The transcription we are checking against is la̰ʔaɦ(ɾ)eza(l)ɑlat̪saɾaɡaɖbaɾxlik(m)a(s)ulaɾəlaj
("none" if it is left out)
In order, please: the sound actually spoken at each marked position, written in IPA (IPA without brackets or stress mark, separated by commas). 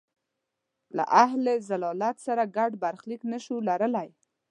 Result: l, l, n, ʃ